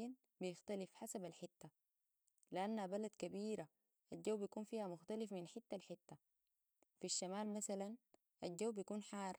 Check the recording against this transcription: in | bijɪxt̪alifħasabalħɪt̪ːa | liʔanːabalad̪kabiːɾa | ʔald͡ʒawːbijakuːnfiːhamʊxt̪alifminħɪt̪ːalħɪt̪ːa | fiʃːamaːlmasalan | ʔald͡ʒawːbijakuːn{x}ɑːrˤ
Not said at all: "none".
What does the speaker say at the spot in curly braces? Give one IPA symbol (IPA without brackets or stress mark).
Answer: ħ